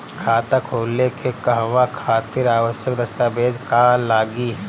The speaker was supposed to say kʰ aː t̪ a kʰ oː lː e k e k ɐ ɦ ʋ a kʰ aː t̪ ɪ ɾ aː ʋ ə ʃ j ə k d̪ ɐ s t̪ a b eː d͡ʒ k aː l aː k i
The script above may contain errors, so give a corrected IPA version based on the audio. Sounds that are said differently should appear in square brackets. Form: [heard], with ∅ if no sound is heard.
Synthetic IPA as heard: kʰ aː t̪ a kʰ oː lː e k e k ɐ ɦ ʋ a kʰ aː t̪ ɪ ɾ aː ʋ ə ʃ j ə k d̪ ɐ s t̪ a b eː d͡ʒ k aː l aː [ɡ] i